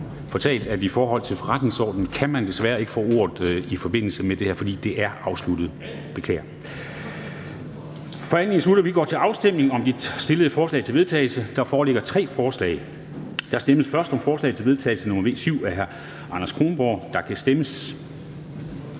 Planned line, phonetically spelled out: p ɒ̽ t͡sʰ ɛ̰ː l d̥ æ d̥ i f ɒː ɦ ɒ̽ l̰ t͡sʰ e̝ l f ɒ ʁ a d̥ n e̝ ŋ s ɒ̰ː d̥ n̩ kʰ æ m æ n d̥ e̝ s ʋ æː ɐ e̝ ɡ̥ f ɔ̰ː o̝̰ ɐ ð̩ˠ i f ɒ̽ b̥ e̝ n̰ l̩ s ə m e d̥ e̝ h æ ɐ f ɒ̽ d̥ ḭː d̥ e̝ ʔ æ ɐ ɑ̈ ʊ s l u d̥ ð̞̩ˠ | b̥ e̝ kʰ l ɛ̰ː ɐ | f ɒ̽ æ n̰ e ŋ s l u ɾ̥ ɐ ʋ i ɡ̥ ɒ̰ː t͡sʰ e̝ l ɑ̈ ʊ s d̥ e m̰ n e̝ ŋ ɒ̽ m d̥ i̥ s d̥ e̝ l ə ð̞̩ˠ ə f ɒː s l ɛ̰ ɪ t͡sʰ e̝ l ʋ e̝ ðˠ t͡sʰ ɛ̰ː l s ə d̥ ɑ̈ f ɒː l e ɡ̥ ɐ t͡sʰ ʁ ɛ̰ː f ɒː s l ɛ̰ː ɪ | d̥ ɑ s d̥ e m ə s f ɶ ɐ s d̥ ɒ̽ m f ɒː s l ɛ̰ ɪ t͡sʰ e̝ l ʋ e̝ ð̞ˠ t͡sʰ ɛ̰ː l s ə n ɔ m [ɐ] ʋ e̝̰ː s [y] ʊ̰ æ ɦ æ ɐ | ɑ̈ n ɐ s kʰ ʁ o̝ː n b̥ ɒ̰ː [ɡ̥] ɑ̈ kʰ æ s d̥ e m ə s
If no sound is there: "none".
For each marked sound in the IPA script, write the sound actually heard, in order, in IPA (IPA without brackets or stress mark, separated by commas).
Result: ɐ, y, d̥